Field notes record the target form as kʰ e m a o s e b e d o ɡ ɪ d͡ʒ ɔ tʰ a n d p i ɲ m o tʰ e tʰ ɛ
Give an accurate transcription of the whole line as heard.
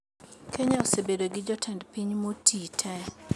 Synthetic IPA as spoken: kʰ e ɲ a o s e b e d o ɡ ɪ d͡ʒ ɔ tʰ ɛ n d p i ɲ m o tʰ i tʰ ɛ

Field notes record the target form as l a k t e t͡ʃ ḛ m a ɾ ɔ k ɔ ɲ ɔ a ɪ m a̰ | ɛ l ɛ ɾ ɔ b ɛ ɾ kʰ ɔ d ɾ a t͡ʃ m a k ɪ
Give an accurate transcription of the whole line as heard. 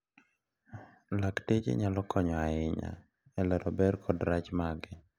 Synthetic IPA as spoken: l a k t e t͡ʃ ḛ ɲ a l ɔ k ɔ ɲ ɔ a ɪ ɲ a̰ | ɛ l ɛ ɾ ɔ b ɛ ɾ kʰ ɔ d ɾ a t͡ʃ m a ɡ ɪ

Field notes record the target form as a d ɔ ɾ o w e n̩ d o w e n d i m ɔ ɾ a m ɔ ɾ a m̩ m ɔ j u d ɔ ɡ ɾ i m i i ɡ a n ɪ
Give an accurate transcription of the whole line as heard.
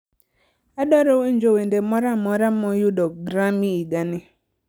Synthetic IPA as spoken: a d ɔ ɾ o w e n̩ d͡ʒ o w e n d e m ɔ ɾ a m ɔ ɾ a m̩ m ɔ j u d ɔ ɡ ɾ a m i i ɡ a n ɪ

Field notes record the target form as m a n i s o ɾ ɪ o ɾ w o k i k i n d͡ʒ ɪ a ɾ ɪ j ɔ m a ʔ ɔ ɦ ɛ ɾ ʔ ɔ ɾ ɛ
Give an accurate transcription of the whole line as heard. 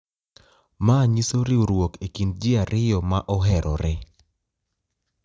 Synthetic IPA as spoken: m a ɲ i s o ɾ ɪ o ɾ w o k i k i n d͡ʒ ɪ a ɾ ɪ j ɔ m a ʔ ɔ ɦ ɛ ɾ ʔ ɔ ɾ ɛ

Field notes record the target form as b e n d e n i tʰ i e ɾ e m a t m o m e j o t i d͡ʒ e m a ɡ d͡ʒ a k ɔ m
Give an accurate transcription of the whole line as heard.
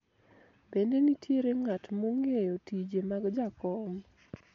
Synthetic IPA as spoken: b e n d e n i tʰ j e ɾ e ŋ a t m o ŋ e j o t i d͡ʒ e m a ɡ d͡ʒ a k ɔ m

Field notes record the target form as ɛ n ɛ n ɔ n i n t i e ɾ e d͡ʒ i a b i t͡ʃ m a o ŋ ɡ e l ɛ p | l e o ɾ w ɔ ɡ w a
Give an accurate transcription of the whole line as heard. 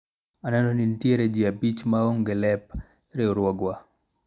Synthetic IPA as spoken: a n ɛ n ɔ n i n t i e ɾ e d͡ʒ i a b i t͡ʃ m a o ŋ ɡ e l ɛ p | ɾ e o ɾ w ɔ ɡ w a

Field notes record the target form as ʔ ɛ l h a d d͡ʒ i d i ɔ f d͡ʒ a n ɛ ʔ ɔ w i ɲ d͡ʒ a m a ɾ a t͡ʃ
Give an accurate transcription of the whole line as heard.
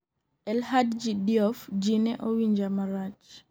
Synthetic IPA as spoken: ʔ ɛ l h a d d͡ʒ i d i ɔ f d͡ʒ i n ɛ ʔ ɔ w i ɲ d͡ʒ a m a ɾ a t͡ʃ

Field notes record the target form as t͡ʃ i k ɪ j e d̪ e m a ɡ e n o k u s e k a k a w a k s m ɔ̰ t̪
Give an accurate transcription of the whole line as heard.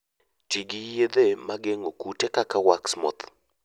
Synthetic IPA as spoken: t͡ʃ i ɡ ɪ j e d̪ e m a ɡ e ŋ o k u t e k a k a w a k s m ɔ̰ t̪

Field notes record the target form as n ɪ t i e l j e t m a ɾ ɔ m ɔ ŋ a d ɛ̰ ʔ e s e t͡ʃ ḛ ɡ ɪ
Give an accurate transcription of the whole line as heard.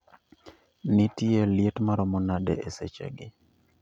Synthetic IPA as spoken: n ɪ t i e l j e t m a ɾ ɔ m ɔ n a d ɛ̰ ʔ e s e t͡ʃ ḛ ɡ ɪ

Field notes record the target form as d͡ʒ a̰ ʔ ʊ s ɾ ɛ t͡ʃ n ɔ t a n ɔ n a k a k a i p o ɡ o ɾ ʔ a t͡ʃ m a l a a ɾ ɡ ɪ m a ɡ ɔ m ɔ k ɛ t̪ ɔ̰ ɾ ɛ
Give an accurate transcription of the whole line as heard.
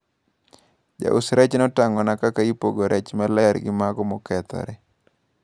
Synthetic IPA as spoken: d͡ʒ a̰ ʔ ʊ s ɾ ɛ t͡ʃ n ɔ t a ŋ ɔ n a k a k a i p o ɡ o ɾ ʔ ɛ t͡ʃ m a l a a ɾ ɡ ɪ m a ɡ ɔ m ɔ k ɛ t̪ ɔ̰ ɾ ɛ

